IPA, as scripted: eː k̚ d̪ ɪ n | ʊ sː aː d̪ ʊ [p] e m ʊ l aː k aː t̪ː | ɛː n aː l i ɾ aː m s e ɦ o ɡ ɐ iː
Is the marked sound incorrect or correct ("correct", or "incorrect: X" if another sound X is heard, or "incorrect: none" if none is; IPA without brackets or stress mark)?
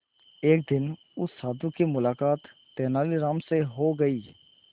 incorrect: k